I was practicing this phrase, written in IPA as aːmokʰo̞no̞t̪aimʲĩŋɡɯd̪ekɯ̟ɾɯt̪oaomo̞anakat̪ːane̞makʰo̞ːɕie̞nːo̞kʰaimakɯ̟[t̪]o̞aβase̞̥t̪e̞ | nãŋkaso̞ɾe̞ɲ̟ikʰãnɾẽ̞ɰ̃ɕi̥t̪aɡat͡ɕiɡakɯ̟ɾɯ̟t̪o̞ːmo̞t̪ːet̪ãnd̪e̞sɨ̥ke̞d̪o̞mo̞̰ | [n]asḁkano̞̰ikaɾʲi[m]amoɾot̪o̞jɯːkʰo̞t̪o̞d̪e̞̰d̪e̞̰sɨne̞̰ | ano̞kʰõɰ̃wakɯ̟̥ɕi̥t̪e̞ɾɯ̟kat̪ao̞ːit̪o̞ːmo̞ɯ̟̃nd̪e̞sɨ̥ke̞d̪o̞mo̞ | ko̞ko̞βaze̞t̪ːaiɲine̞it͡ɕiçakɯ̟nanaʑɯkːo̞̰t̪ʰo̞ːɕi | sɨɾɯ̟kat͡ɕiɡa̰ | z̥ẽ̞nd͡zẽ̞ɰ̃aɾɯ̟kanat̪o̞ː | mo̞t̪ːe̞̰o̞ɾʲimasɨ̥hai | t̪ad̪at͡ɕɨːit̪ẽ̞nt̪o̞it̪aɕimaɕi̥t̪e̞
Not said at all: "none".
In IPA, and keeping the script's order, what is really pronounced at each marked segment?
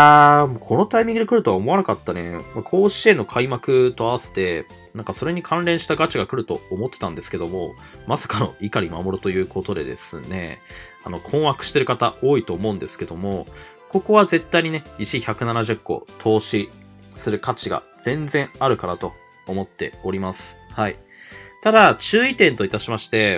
t̪, m, m

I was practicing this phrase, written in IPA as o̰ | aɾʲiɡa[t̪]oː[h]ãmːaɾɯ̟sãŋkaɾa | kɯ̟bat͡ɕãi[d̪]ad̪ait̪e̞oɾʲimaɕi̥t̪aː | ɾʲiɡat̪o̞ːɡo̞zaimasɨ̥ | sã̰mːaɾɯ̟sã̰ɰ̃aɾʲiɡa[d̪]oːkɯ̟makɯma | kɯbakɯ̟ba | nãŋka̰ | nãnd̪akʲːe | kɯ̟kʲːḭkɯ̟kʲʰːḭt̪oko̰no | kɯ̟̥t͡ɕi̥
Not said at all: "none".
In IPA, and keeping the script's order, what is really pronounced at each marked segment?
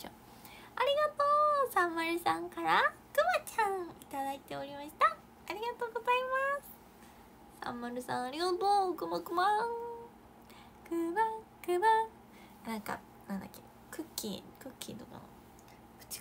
t̪, s, t̪, t̪

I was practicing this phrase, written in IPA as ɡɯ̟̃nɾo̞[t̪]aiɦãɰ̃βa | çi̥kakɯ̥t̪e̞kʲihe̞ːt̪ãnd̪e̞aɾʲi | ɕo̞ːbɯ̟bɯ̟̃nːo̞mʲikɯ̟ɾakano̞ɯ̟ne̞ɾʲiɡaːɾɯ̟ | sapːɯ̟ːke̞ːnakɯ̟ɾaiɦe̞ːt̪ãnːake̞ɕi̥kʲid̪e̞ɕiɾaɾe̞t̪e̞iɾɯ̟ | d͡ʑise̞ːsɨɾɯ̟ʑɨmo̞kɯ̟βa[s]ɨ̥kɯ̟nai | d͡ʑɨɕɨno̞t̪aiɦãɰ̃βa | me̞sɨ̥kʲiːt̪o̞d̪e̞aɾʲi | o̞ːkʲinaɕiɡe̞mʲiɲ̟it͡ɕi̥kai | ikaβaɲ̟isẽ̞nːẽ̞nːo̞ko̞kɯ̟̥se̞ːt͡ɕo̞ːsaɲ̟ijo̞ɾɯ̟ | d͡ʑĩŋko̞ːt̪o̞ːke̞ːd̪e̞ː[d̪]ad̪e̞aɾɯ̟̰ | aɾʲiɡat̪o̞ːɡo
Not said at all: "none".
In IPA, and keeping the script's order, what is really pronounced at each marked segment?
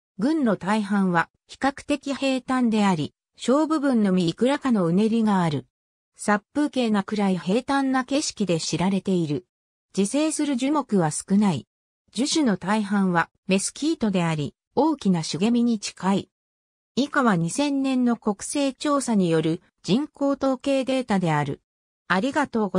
t̪, s, t̪

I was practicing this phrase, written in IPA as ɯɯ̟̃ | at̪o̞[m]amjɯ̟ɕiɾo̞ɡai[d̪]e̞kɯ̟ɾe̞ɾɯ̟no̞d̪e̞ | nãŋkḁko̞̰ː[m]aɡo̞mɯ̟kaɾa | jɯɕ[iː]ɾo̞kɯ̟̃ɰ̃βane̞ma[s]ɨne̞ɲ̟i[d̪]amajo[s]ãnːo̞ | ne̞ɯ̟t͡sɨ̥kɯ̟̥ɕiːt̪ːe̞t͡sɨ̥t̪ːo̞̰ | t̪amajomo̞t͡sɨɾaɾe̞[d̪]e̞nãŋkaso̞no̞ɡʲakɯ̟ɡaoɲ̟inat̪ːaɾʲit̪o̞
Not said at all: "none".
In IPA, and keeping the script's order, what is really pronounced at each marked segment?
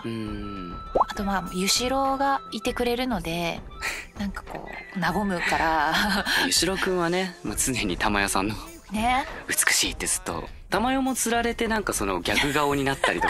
m, t̪, n, i, t͡s, t̪, s, t̪

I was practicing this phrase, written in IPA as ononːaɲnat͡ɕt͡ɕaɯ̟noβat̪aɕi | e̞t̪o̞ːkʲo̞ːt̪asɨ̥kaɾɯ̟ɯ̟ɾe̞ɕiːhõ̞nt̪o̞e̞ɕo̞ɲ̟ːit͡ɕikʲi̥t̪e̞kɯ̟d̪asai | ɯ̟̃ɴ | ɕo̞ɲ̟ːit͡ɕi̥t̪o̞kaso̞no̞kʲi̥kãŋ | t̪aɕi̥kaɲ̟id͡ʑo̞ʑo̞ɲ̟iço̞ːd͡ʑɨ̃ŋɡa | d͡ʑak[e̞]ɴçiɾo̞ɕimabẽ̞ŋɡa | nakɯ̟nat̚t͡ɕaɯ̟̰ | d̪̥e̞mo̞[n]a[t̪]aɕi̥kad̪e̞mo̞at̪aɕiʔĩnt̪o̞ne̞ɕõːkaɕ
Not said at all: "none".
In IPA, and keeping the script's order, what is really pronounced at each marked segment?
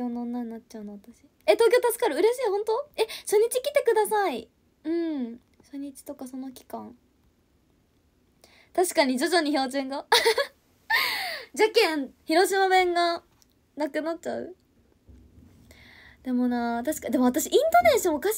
ẽ̞, n, t̪

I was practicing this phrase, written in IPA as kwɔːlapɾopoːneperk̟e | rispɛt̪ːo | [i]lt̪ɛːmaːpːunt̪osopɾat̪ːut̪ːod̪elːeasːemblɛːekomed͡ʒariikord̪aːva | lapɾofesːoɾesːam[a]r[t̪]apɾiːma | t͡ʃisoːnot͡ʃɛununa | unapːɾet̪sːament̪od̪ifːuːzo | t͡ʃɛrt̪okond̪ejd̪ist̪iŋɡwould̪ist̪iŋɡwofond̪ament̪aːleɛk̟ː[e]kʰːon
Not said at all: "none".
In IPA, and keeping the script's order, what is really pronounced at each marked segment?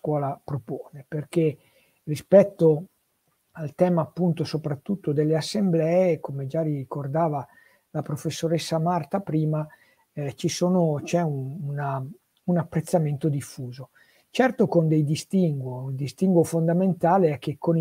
a, a, t̪, e

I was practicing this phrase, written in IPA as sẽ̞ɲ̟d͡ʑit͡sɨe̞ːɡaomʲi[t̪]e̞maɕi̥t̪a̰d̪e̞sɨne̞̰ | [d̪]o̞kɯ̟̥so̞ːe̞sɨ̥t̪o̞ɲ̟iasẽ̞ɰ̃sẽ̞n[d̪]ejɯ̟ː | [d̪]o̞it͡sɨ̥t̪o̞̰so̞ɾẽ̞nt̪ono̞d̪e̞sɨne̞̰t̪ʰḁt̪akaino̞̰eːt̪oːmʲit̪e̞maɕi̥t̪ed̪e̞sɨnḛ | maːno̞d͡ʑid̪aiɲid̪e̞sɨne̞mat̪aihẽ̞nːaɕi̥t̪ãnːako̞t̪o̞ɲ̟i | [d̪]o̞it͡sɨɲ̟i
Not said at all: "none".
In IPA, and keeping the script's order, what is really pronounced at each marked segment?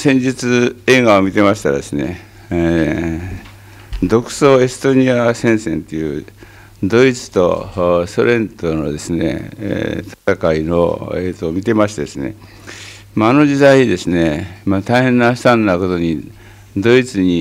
t̪, d̪, t̪, d̪, d̪

